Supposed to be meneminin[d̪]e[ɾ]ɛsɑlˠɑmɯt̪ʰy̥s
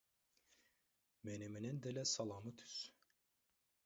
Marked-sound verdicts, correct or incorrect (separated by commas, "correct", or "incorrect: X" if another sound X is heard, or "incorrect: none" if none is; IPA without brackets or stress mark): correct, incorrect: l